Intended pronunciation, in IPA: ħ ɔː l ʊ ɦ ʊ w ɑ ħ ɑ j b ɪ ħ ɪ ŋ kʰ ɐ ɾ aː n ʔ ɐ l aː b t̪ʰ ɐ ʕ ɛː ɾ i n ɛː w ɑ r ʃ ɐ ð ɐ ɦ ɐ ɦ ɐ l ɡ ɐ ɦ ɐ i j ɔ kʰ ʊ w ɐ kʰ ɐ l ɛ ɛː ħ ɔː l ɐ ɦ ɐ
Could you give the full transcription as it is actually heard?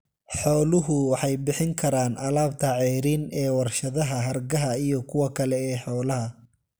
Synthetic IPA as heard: ħ ɔː l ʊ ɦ ʊ w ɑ ħ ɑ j b ɪ ħ ɪ ŋ kʰ ɐ ɾ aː n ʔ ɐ l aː b t̪ʰ ɐ ʕ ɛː ɾ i n ɛː w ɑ r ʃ ɐ ð ɐ ɦ ɐ ɦ ɐ r ɡ ɐ ɦ ɐ i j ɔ kʰ ʊ w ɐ kʰ ɐ l ɛ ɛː ħ ɔː l ɐ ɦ ɐ